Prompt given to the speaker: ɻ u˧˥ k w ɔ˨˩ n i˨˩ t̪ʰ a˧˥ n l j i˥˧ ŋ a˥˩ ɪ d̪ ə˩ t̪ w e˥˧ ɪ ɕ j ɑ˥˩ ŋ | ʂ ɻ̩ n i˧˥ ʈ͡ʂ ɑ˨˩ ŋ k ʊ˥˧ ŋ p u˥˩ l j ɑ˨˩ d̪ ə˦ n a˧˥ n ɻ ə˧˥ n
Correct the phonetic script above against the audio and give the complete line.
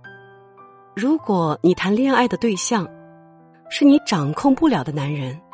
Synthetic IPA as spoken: ɻ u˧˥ k w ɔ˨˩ n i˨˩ t̪ʰ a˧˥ n l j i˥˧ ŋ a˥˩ ɪ d̪ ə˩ t̪ w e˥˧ ɪ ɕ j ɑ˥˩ ŋ | ʂ ɻ̩ n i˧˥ ʈ͡ʂ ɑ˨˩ ŋ kʰ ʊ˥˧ ŋ p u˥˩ l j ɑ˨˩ d̪ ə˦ n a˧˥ n ɻ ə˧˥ n